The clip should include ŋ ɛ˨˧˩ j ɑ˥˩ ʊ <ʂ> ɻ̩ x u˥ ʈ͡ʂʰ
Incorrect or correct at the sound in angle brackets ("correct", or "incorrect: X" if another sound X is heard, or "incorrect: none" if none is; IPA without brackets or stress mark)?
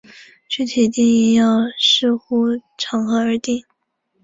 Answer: correct